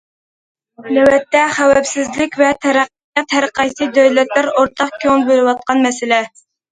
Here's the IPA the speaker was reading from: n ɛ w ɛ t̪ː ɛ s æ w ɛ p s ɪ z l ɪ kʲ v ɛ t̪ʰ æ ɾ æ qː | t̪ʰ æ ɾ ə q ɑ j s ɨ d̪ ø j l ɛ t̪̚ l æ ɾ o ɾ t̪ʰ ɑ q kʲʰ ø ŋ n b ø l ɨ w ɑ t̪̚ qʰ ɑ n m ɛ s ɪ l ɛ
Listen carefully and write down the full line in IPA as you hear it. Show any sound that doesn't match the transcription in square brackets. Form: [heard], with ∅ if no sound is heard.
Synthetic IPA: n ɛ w ɛ t̪ː ɛ [χ] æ w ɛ p s ɪ z l ɪ kʲ v ɛ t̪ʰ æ ɾ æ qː | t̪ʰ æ ɾ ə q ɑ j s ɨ d̪ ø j l ɛ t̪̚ l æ ɾ o ɾ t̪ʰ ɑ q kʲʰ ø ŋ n b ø l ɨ w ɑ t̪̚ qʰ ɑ n m ɛ s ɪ l ɛ

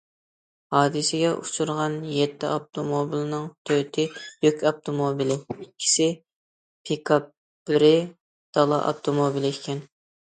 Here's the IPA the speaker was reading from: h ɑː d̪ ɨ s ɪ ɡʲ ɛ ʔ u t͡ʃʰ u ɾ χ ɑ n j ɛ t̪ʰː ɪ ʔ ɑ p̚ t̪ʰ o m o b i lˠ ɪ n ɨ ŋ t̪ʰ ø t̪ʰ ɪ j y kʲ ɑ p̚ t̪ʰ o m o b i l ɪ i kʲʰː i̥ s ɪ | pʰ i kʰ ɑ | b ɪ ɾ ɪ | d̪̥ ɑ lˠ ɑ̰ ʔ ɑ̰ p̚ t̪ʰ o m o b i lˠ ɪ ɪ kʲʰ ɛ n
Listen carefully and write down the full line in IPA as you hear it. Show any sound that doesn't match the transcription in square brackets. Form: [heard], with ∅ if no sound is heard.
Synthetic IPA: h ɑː d̪ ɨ s ɪ ɡʲ ɛ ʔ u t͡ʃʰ u ɾ [ʁ] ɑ n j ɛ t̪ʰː ɪ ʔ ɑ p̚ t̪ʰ o m o b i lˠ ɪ n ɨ ŋ t̪ʰ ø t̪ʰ ɪ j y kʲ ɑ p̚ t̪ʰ o m o b i l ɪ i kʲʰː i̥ s ɪ | pʰ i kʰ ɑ | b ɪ ɾ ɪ | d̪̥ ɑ lˠ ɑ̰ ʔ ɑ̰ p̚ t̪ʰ o m o b i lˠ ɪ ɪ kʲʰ ɛ n

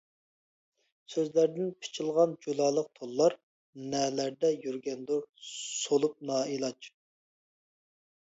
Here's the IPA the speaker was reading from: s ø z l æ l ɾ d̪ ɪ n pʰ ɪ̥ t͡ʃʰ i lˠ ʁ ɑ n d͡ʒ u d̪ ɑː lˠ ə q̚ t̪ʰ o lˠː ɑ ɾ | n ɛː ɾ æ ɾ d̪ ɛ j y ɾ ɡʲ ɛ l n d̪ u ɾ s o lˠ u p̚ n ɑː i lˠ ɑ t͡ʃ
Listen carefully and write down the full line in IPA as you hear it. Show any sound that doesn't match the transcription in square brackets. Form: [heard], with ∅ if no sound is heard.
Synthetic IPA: s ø z l æ [∅] ɾ d̪ ɪ n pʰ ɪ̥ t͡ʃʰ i lˠ ʁ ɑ n d͡ʒ u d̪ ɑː lˠ ə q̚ t̪ʰ o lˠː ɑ ɾ | n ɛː [l] æ ɾ d̪ ɛ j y ɾ ɡʲ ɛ [∅] n d̪ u ɾ s o lˠ u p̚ n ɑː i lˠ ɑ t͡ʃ

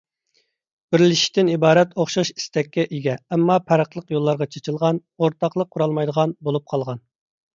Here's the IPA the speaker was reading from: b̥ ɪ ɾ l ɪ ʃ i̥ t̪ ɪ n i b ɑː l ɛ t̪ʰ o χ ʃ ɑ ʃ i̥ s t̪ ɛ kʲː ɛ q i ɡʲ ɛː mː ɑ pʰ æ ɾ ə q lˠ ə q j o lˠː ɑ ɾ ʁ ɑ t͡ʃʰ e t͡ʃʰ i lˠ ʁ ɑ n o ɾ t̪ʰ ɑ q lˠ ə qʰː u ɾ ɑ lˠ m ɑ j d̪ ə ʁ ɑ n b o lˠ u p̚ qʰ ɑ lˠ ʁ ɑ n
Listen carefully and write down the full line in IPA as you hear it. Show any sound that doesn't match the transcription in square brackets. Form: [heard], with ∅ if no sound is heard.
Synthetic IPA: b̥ ɪ ɾ l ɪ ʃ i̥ t̪ ɪ n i b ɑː [ɾ] ɛ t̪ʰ o χ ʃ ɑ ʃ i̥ s t̪ ɛ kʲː ɛ [ʔ] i ɡʲ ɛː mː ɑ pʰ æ ɾ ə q lˠ ə q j o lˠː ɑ ɾ ʁ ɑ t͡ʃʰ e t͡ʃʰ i lˠ ʁ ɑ n o ɾ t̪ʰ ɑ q lˠ ə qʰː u ɾ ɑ lˠ m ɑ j d̪ ə ʁ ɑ n b o lˠ u p̚ qʰ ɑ lˠ ʁ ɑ n

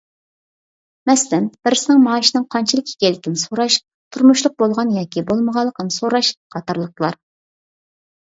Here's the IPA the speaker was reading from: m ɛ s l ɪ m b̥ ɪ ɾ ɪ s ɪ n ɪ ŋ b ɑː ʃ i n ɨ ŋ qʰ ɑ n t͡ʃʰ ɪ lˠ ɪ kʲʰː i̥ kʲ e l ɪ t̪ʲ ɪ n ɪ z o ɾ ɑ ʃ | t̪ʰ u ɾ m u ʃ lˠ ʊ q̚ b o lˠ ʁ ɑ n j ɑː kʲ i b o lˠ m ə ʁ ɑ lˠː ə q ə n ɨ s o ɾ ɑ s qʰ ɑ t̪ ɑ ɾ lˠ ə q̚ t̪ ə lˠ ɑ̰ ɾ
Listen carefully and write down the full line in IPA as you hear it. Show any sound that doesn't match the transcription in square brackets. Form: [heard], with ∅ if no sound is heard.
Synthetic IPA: m ɛ s l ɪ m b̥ ɪ ɾ ɪ s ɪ n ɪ ŋ [m] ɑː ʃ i n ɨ ŋ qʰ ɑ n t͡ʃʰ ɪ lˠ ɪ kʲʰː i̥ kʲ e l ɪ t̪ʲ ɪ n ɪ [s] o ɾ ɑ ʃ | t̪ʰ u ɾ m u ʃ lˠ ʊ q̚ b o lˠ ʁ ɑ n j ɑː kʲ i b o lˠ m ə ʁ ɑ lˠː ə q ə n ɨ s o ɾ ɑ [ʃ] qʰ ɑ t̪ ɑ ɾ lˠ ə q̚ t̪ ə lˠ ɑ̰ ɾ

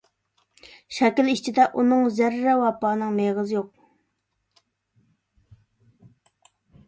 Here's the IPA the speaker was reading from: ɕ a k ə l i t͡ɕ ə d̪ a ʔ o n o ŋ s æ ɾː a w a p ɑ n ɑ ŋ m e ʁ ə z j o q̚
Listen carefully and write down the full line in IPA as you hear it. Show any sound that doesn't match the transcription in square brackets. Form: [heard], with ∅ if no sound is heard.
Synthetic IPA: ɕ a k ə l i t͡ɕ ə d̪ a ʔ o n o ŋ [z] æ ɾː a w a p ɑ n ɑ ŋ m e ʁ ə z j o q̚

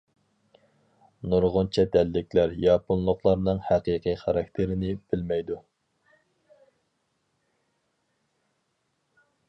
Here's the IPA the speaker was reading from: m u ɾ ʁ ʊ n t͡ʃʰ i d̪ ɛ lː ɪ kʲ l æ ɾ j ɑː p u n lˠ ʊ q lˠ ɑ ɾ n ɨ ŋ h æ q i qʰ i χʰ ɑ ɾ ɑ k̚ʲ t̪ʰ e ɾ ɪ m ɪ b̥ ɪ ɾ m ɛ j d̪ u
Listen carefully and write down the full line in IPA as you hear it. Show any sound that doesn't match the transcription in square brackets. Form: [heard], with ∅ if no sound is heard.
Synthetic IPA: [n] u ɾ ʁ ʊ n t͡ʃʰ [ɛ] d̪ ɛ lː ɪ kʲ l æ ɾ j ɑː p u n lˠ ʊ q lˠ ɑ ɾ n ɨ ŋ h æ q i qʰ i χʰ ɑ ɾ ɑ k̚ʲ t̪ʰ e ɾ ɪ [n] ɪ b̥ ɪ [l] m ɛ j d̪ u

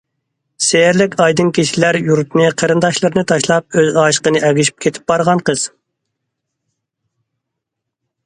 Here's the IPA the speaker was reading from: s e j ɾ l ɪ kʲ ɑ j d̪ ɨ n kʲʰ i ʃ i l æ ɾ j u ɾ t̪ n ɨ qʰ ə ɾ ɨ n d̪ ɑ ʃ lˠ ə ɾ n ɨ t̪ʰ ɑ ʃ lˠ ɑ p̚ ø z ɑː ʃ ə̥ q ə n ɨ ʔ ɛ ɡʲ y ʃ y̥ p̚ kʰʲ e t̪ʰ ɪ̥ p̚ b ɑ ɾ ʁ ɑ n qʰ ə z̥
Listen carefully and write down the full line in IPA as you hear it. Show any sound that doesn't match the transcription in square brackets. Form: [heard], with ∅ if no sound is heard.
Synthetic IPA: s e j ɾ l ɪ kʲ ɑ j d̪ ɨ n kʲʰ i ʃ i l æ ɾ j u ɾ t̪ n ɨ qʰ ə ɾ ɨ n d̪ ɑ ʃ lˠ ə ɾ n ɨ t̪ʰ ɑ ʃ lˠ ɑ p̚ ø z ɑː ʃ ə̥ q ə n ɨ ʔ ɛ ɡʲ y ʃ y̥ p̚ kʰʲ e t̪ʰ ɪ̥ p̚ b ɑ ɾ ʁ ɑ n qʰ ə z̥

